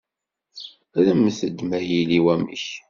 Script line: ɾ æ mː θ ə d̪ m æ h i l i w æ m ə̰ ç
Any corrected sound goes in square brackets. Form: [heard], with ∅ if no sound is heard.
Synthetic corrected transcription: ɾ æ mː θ ə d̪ m æ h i l i w æ m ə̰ ç